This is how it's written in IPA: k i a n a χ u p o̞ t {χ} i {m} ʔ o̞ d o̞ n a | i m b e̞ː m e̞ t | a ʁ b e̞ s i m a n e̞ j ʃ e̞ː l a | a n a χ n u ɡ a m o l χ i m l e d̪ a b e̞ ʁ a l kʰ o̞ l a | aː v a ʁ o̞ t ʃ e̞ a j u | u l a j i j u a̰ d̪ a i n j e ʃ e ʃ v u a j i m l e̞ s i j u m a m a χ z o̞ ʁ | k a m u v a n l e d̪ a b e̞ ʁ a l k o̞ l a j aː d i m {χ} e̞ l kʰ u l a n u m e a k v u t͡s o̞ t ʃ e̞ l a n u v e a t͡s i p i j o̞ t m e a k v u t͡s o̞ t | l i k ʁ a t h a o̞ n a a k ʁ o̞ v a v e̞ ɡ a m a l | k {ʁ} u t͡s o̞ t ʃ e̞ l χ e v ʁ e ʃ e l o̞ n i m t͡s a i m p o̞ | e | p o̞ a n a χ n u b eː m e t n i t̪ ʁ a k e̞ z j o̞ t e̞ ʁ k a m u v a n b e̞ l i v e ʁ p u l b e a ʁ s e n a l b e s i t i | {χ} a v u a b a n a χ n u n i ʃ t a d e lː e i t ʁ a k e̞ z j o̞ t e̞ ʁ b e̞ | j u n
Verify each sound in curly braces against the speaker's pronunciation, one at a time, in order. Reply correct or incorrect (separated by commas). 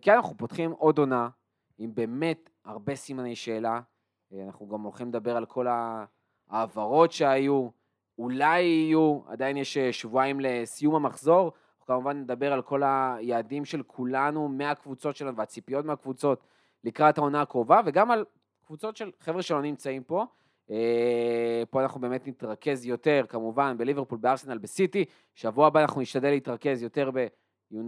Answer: correct, correct, incorrect, incorrect, incorrect